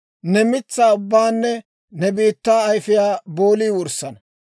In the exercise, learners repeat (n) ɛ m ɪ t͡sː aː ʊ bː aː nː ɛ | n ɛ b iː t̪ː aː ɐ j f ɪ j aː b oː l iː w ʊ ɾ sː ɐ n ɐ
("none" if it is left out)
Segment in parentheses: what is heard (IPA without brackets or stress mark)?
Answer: n